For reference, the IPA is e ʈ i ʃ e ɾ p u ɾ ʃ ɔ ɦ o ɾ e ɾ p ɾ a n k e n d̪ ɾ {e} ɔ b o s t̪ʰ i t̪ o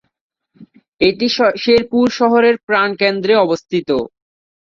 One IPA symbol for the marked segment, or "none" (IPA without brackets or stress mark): e